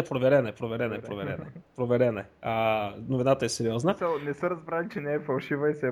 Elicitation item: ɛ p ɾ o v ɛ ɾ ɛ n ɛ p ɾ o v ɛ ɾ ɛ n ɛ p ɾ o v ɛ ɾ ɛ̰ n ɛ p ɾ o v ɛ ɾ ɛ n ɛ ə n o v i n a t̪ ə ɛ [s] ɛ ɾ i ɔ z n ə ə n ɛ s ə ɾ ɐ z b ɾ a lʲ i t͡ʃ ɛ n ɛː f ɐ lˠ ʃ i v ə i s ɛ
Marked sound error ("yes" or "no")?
no